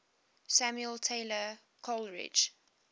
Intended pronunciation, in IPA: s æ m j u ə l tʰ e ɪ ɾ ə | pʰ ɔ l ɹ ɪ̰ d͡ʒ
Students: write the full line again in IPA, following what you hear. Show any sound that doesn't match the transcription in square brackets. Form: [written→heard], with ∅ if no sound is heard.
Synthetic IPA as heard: s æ m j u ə l tʰ e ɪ [ɾ→l] ə | [pʰ→kʰ] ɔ l ɹ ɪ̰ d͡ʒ

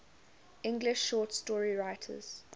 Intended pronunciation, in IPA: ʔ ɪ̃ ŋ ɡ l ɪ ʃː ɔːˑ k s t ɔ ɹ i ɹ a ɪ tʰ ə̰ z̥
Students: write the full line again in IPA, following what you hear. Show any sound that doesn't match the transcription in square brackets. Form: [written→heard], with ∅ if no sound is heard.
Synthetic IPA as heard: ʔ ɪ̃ ŋ ɡ l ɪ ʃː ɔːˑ [k→t] s t ɔ ɹ i ɹ a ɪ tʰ ə̰ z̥

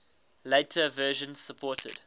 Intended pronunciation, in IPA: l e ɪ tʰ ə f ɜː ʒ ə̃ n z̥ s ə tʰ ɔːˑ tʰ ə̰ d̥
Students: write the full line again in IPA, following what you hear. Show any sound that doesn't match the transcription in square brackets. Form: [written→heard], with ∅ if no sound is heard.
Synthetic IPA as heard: l e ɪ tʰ ə [f→v] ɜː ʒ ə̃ n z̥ s ə [tʰ→pʰ] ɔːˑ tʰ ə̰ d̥

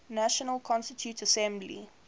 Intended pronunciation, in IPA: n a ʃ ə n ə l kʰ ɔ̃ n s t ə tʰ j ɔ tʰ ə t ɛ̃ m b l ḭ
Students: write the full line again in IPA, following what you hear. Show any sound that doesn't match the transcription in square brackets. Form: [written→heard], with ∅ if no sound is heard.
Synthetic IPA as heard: n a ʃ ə n ə l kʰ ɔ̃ n s t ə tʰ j [ɔ→u] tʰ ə [t→s] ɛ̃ m b l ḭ

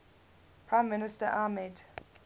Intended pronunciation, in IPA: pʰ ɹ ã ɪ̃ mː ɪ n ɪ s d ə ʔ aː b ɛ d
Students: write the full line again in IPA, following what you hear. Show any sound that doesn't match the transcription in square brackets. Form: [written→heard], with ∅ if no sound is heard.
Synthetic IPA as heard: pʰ ɹ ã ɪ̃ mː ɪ n ɪ s [d→t] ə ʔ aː [b→m] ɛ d

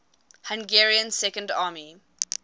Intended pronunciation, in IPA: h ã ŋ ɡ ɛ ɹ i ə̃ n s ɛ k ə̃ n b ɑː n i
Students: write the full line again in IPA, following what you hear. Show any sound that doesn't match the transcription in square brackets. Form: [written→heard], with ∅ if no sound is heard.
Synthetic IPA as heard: h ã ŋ ɡ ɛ ɹ i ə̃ n s ɛ k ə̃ n [b→d] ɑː [n→m] i

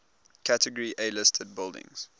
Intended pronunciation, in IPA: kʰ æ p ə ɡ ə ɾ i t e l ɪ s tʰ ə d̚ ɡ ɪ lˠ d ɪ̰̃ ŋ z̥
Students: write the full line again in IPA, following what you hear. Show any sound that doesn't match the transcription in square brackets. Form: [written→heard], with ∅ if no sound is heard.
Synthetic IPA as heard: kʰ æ [p→t] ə ɡ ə [ɾ→ɹ] i [t→ʔ] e l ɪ s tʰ ə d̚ [ɡ→b] ɪ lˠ d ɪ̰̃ ŋ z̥

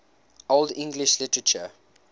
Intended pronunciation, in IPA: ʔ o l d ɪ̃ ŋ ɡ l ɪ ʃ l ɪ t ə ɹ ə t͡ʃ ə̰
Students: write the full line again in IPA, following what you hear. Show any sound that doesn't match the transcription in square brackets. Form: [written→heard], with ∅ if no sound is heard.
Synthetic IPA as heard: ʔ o l d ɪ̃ ŋ ɡ l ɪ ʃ l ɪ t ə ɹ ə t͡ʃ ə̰

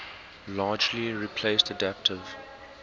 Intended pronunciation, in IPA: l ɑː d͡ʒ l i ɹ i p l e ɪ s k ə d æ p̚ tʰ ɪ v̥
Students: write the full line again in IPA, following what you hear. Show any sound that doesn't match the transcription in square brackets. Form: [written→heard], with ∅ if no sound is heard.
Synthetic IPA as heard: l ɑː d͡ʒ l i ɹ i [p→pʰ] l e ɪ s [k→t] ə d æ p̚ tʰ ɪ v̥

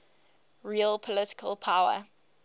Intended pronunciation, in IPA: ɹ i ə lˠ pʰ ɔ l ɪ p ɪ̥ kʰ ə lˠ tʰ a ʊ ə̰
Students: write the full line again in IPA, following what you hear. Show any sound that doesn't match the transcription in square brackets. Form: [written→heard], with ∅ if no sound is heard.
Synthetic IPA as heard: ɹ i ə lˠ pʰ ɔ l ɪ [p→t] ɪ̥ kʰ ə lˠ [tʰ→pʰ] a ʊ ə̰

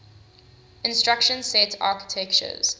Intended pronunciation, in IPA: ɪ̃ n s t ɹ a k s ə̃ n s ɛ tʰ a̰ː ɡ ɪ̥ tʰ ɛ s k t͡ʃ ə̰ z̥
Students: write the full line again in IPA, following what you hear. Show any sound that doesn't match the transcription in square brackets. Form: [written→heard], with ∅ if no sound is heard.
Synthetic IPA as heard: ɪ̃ n s t ɹ a k [s→ʃ] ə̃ n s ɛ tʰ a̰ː [ɡ→k] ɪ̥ tʰ ɛ [s→∅] k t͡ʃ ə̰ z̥

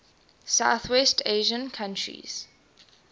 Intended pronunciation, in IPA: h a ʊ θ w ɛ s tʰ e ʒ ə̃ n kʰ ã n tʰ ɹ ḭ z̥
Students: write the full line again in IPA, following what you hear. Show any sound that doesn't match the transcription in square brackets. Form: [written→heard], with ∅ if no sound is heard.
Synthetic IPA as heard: [h→s] a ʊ θ w ɛ s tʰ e ʒ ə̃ n kʰ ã n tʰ ɹ ḭ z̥

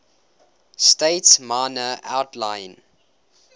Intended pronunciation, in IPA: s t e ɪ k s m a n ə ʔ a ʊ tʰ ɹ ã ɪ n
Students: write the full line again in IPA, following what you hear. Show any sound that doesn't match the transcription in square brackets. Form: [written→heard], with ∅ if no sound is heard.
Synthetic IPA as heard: s t e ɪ [k→t] s m a n ə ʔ a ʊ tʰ [ɹ→l] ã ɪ n

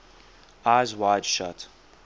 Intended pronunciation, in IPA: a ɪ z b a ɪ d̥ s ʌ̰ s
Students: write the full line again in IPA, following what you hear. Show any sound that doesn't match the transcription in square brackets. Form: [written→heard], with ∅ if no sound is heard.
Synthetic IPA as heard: a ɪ z [b→w] a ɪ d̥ [s→ʃ] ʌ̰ [s→t]

